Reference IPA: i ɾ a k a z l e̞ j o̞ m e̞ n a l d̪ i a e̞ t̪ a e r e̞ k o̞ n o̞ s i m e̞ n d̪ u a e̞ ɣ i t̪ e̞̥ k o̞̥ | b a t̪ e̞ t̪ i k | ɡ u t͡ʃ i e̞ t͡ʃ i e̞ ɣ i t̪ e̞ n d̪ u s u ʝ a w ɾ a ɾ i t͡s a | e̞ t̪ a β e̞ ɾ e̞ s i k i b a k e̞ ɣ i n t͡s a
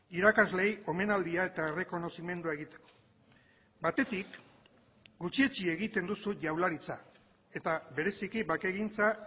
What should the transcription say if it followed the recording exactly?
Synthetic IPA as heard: i ɾ a k a z l e̞ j o̞ m e̞ n a l d̪ i a e̞ t̪ a e r e̞ k o̞ n o̞ s i m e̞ n d̪ u a e̞ ɣ i t̪ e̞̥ k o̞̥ | b a t̪ e̞ t̪ i k | ɡ u t͡ʃ i e̞ t͡ʃ i e̞ ɣ i t̪ e̞ n d̪ u s u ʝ a w l a ɾ i t͡s a | e̞ t̪ a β e̞ ɾ e̞ s i k i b a k e̞ ɣ i n t͡s a